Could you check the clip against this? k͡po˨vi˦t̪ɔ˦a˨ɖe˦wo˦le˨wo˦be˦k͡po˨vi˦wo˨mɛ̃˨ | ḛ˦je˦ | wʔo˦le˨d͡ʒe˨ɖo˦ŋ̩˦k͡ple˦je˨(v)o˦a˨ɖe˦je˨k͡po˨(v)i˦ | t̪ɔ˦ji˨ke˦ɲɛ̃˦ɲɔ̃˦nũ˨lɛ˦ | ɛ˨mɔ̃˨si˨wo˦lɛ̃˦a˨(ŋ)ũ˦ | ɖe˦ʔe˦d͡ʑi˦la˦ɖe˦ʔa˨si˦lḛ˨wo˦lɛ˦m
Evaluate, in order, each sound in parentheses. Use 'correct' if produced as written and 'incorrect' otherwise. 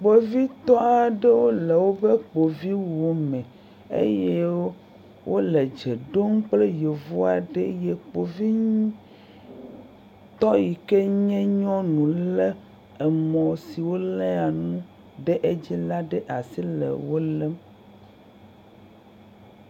correct, correct, incorrect

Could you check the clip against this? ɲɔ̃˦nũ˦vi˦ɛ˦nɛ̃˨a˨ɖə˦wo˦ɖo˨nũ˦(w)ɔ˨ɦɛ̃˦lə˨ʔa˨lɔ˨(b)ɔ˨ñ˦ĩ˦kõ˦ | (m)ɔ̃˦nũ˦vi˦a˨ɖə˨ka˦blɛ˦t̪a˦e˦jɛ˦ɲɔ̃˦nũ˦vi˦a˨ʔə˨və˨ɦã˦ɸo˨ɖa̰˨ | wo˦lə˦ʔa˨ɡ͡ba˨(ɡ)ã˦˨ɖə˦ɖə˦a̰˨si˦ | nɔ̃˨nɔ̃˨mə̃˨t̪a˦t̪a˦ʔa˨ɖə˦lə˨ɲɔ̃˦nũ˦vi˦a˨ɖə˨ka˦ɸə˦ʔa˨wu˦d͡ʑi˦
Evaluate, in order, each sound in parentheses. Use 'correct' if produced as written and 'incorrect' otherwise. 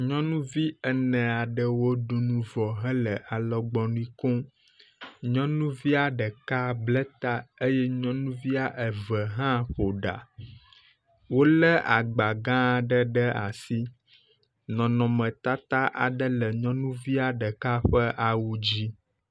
incorrect, incorrect, incorrect, correct

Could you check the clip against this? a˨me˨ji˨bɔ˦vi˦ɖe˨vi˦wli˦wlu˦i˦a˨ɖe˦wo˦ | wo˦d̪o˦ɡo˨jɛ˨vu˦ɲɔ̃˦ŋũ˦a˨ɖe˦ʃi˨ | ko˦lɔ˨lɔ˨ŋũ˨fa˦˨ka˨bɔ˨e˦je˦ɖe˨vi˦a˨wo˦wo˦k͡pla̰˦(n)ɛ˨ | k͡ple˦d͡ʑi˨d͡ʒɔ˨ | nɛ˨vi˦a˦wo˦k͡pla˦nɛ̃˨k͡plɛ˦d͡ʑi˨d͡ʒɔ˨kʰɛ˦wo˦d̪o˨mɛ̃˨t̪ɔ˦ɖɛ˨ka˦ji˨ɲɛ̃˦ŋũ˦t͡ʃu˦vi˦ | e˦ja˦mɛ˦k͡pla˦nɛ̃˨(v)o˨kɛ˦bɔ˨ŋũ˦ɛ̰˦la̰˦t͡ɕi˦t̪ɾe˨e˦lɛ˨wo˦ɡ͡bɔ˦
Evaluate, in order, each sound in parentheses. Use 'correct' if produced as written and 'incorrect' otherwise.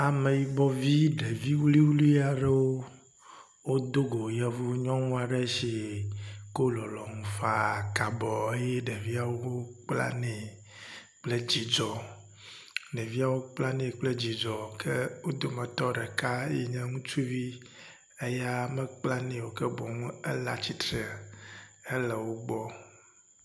correct, incorrect

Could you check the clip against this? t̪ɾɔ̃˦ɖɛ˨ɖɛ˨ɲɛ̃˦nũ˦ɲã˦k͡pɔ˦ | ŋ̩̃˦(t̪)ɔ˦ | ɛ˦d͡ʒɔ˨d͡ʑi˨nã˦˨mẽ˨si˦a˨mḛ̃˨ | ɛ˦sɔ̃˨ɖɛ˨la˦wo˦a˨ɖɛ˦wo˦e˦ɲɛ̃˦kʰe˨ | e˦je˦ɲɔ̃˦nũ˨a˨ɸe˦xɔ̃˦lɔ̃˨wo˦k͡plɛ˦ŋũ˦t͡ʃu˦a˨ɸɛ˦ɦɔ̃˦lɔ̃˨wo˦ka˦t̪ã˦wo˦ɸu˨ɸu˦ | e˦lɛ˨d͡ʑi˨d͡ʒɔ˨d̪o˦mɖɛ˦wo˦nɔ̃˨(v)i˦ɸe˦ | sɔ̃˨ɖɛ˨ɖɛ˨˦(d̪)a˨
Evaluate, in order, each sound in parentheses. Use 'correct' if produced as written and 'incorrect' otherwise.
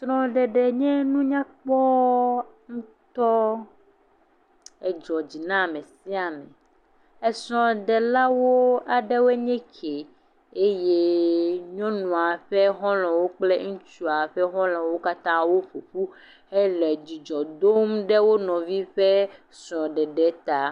correct, correct, incorrect

